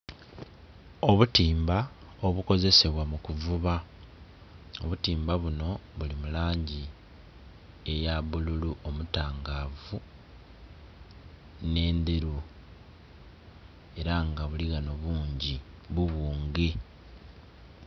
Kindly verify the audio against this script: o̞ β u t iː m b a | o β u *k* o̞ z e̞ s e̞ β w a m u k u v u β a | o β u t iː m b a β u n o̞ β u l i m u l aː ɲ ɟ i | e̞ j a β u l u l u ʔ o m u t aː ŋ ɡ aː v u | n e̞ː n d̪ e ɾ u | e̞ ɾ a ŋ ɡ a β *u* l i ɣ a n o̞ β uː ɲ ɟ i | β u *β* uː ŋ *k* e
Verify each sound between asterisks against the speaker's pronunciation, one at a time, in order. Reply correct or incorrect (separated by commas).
correct, correct, correct, incorrect